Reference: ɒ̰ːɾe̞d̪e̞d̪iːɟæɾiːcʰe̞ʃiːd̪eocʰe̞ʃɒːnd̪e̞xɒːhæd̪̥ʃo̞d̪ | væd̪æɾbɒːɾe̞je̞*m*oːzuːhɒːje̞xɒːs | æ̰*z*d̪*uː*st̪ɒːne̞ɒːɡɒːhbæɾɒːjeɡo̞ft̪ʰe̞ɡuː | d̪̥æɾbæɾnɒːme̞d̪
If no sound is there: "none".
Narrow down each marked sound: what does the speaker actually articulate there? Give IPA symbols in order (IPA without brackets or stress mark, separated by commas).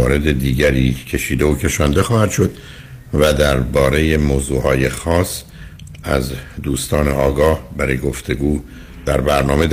m, z, uː